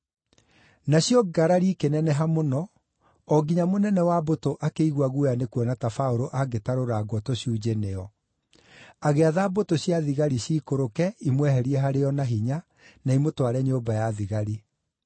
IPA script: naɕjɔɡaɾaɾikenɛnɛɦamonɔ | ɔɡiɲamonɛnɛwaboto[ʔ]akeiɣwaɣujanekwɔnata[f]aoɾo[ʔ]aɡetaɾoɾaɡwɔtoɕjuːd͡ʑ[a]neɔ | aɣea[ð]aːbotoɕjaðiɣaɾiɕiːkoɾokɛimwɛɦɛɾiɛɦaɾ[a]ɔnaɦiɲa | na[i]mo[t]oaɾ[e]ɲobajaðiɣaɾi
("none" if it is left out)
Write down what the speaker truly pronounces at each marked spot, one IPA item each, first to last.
ʔ, f, ʔ, e, ð, e, i, t, ɛ

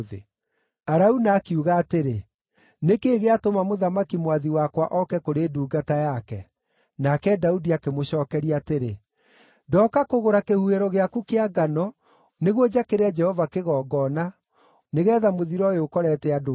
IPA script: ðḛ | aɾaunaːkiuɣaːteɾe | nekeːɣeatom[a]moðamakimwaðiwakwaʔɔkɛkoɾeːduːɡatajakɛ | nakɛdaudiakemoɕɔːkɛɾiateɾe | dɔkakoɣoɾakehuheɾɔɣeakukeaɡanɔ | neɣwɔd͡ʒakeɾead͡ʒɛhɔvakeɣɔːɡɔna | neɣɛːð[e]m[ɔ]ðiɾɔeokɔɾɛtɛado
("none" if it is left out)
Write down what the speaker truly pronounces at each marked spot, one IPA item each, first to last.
a, a, o

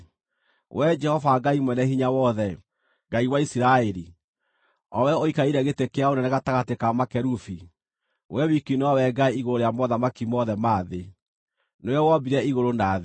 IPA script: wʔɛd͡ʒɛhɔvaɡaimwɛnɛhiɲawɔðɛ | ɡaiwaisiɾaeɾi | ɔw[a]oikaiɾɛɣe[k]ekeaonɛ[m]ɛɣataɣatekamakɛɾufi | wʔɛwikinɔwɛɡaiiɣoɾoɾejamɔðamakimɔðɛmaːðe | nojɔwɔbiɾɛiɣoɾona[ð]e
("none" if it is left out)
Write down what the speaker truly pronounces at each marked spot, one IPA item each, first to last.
ɛ, t, n, ð

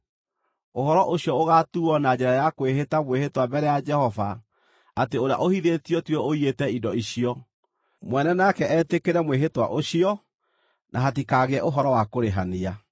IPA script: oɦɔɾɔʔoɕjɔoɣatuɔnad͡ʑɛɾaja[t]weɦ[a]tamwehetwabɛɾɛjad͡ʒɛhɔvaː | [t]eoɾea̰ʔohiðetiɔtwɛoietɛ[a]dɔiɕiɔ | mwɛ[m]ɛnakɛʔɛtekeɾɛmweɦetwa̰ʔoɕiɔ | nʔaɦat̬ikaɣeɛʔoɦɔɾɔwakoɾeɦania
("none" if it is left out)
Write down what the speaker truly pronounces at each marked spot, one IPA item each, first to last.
k, e, t, i, n

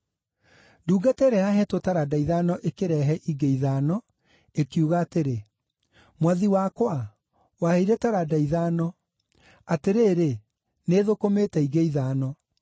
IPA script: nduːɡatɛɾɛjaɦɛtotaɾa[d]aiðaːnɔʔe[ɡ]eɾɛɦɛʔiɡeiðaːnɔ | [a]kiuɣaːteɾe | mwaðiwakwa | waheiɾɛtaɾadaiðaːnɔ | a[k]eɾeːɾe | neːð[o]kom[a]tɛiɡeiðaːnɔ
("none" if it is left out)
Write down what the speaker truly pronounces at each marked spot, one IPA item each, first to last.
d, k, e, t, o, e

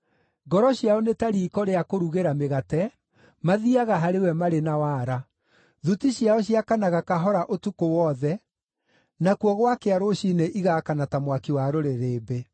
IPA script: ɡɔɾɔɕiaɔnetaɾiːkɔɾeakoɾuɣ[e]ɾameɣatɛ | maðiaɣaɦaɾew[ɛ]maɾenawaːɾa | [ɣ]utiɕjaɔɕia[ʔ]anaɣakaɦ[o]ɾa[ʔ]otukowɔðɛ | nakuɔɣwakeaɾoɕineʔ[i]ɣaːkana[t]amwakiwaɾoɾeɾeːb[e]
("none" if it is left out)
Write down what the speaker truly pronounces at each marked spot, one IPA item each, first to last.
e, ɛ, ð, k, ɔ, ʔ, i, t, e

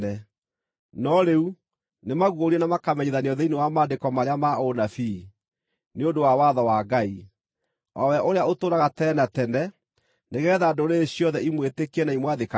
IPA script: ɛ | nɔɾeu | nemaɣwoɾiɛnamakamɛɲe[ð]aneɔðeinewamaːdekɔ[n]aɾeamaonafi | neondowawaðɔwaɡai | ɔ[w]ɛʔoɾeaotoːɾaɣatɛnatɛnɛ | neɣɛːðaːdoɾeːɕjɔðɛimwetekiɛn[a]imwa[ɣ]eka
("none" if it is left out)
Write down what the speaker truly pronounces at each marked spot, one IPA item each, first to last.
ð, m, w, a, ð

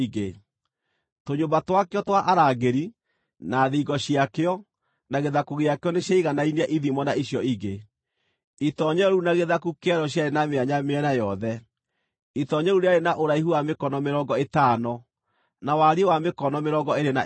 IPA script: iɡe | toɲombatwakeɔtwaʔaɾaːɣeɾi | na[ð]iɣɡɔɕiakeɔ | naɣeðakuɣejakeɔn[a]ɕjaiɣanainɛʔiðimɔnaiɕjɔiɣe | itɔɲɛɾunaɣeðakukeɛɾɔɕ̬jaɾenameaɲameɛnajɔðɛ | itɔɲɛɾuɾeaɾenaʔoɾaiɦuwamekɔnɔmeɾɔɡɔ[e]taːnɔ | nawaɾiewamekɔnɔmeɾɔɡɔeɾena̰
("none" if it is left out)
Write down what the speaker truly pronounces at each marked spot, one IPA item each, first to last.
ð, e, e

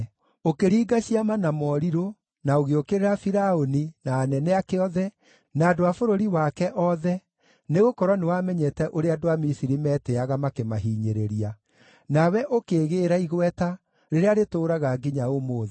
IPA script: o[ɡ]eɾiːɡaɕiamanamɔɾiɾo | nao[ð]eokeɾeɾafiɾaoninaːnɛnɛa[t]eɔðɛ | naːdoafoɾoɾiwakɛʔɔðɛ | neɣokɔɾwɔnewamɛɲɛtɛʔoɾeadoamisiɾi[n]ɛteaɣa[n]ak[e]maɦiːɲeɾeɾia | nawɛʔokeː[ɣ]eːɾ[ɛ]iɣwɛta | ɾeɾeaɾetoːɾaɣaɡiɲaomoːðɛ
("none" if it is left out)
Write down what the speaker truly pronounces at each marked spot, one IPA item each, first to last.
k, ɣ, k, m, m, e, ɣ, a

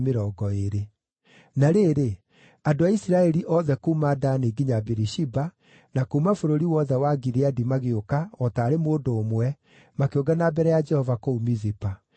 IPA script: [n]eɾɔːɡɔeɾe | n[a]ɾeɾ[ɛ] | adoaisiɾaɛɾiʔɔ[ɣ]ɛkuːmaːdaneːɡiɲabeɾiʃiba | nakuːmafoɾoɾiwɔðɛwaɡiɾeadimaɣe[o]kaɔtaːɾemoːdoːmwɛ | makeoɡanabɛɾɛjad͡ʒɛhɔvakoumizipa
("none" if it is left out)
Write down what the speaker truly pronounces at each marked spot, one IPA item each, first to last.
m, a, e, ð, o

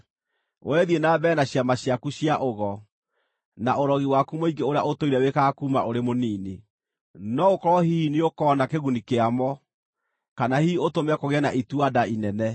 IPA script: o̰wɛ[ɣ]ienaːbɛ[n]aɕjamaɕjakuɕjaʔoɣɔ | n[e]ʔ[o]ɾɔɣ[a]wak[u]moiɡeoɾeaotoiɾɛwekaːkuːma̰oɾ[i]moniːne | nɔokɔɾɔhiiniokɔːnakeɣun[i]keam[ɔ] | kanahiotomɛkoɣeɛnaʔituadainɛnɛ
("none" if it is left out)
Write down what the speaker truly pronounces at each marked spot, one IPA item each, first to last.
ð, n, a, o, i, u, e, i, ɔ

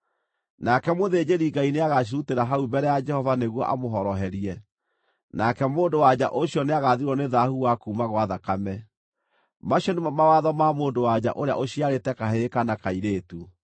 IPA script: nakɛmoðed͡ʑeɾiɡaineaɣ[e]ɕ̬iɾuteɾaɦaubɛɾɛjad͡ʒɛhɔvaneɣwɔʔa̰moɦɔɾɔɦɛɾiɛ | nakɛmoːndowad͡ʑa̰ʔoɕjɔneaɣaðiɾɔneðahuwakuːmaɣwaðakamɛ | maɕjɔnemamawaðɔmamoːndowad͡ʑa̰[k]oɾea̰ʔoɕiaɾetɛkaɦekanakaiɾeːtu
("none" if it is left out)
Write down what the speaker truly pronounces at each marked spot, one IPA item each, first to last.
a, ʔ

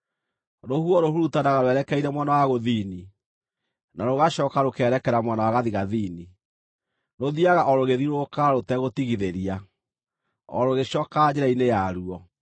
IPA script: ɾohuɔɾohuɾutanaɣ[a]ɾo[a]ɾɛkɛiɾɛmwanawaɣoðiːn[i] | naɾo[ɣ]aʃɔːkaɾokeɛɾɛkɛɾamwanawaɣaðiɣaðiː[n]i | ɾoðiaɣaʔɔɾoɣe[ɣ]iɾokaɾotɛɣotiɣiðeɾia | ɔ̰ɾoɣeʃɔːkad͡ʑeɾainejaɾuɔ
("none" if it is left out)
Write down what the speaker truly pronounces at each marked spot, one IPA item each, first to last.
a, ɛ, i, ɣ, n, ð

